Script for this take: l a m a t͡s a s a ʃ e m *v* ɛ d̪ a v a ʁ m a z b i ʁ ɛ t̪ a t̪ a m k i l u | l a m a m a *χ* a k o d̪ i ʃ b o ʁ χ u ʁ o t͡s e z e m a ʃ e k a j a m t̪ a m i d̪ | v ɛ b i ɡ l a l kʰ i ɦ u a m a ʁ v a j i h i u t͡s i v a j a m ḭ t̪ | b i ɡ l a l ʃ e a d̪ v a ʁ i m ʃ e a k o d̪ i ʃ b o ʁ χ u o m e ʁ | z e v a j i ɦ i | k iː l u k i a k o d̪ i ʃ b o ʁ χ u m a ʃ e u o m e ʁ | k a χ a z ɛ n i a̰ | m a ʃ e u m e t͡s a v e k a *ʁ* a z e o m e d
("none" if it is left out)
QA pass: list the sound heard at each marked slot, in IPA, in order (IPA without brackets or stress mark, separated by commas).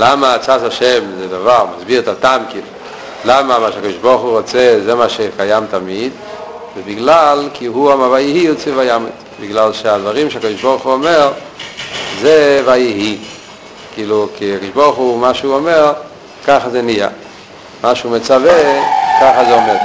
z, ʃ, χ